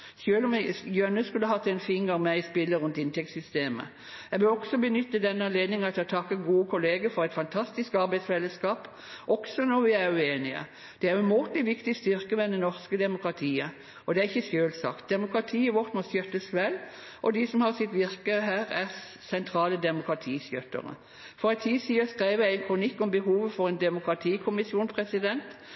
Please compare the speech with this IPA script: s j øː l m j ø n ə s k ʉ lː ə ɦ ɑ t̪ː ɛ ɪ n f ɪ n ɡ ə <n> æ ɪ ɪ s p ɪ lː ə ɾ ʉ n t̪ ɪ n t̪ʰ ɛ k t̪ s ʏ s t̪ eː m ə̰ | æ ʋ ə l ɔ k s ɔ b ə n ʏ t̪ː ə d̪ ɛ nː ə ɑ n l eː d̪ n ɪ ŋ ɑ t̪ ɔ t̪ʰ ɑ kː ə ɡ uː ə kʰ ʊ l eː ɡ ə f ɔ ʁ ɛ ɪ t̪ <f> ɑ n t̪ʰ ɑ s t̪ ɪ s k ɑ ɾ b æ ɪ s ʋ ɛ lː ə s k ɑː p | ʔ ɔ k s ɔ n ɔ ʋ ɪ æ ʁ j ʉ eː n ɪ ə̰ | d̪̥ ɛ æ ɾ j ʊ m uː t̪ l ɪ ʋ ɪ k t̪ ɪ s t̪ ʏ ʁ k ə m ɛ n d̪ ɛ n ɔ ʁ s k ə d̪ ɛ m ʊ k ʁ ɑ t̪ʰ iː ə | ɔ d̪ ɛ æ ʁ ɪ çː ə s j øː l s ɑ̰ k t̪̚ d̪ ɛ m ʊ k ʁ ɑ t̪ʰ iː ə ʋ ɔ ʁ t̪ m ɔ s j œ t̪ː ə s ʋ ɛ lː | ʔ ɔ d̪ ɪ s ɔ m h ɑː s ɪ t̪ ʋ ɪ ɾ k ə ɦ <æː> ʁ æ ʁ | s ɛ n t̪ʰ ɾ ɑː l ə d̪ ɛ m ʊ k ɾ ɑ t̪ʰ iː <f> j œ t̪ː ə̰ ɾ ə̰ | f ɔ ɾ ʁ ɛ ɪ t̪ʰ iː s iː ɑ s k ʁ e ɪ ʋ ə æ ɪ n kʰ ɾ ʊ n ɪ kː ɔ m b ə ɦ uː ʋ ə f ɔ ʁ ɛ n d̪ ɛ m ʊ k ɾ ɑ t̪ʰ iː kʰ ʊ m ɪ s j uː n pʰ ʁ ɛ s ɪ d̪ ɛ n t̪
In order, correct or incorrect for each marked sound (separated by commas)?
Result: incorrect, correct, correct, incorrect